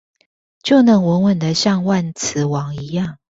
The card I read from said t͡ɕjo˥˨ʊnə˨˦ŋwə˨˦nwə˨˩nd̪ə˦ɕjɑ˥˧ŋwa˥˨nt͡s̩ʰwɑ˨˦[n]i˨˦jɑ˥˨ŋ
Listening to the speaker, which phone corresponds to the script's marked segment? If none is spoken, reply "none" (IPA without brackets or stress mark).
ŋ